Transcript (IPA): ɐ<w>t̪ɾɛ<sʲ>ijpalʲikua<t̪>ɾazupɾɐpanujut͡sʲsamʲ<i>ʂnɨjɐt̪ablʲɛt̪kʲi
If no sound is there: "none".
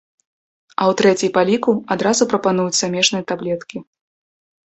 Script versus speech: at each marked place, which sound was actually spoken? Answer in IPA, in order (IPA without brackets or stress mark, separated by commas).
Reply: w, t͡sʲ, d̪, ɛ